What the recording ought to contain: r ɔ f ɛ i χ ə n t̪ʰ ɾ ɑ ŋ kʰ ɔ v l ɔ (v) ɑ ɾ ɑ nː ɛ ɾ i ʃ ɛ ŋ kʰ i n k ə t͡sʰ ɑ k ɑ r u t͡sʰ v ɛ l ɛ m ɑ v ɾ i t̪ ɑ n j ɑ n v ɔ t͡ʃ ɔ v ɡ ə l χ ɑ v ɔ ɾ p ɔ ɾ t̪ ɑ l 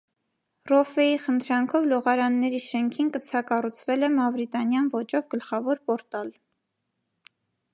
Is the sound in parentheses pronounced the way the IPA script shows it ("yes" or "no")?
no